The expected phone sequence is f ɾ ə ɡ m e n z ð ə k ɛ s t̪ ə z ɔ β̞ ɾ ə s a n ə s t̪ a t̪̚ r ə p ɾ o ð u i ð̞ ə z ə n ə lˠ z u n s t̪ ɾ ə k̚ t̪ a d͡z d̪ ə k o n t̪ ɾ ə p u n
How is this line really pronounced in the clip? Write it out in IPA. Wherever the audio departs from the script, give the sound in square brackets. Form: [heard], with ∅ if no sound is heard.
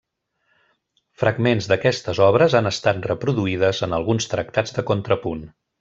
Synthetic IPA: f ɾ ə ɡ m e n z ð ə k ɛ s t̪ ə z ɔ β̞ ɾ ə [z] a n ə s t̪ a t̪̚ r ə p ɾ [u] ð u i ð̞ ə z ə n ə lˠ [ɣ] u n s t̪ ɾ ə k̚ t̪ a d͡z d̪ ə k o n t̪ ɾ ə p u n